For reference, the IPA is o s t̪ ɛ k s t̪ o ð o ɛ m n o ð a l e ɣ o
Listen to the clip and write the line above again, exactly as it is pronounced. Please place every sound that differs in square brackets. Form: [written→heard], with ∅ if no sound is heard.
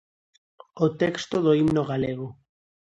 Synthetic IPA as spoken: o [s→∅] t̪ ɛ k s t̪ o ð o [ɛ→i] m n o [ð→ɣ] a l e ɣ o